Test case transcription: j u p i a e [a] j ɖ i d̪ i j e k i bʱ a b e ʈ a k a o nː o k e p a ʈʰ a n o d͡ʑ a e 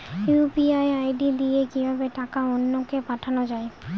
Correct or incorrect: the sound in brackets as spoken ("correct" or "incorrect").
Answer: correct